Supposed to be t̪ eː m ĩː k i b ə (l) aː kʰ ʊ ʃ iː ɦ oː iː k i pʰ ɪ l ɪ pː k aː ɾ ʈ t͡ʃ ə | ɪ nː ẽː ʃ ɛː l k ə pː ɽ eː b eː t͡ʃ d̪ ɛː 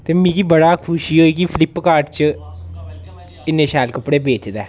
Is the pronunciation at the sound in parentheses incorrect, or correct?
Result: incorrect: ɽ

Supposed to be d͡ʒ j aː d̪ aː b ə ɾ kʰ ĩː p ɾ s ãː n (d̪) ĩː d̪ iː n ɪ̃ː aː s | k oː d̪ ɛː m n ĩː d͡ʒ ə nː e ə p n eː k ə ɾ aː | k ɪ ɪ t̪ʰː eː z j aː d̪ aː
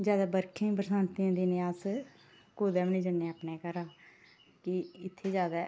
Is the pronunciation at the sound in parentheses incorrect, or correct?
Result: incorrect: t̪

